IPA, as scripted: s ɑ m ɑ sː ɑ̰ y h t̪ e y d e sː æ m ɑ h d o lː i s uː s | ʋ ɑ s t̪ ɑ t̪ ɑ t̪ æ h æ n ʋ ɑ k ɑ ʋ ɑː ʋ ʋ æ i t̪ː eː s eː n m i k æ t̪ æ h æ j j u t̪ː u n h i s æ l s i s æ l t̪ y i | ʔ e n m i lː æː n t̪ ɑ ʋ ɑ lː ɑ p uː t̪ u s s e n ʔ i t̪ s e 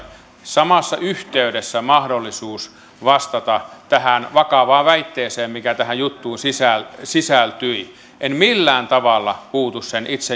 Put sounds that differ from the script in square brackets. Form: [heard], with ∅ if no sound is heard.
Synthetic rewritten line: s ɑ m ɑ sː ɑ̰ y h t̪ e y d e sː æ m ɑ h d o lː i s uː s | ʋ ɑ s t̪ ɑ t̪ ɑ t̪ æ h æ n ʋ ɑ k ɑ ʋ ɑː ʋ ʋ æ i t̪ː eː s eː [m] m i k æ t̪ æ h æ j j u t̪ː [uː] n [s] i s æ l s i s æ l t̪ y i | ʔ e n m i lː æː n t̪ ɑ ʋ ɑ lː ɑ p uː t̪ u s s e n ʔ i t̪ s e